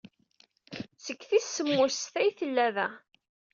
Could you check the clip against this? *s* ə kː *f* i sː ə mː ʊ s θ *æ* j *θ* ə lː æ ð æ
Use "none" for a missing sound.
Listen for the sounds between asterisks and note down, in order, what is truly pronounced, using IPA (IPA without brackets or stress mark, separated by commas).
s, θ, æ, θ